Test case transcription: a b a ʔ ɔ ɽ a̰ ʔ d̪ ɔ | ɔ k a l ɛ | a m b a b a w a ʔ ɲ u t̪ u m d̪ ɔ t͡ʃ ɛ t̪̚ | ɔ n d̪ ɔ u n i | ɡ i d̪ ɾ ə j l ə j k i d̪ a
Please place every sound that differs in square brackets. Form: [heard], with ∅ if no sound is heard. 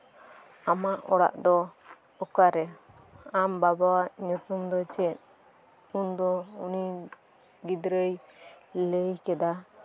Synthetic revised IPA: a [m] a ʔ ɔ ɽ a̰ ʔ d̪ ɔ | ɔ k a [ɾ] ɛ | a m b a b a w a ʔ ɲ u t̪ u m d̪ ɔ t͡ʃ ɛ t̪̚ | [u] n d̪ ɔ u n i | ɡ i d̪ ɾ ə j l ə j k [ɛ] d̪ a